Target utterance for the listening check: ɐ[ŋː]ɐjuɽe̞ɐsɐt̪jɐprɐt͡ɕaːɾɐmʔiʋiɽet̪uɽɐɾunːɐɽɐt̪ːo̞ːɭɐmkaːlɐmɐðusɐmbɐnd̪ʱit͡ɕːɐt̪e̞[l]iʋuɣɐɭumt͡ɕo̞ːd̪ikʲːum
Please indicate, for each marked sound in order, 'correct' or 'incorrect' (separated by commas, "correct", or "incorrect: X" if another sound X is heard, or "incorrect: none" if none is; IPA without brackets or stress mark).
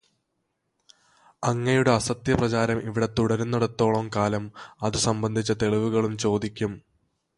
correct, incorrect: ɭ